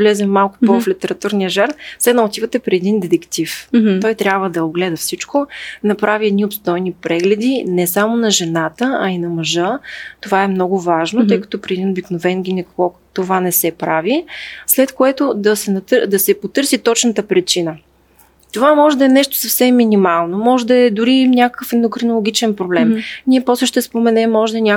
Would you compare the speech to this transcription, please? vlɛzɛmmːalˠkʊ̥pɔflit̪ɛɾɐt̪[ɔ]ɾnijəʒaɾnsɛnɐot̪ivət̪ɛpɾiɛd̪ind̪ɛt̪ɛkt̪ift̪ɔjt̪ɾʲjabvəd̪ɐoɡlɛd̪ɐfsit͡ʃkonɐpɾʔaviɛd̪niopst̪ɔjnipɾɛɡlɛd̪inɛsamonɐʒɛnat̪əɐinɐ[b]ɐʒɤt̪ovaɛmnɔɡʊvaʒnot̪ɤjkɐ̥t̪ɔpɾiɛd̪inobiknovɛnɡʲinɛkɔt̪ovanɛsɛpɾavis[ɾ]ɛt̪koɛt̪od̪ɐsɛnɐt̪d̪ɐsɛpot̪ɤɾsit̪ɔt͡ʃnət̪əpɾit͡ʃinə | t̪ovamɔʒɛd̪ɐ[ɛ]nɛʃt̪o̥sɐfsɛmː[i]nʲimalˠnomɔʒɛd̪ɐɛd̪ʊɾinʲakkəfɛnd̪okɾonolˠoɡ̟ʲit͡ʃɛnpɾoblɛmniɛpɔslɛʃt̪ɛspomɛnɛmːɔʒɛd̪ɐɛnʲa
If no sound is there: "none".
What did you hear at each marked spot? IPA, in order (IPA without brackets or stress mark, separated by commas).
u, m, l, ɛ, i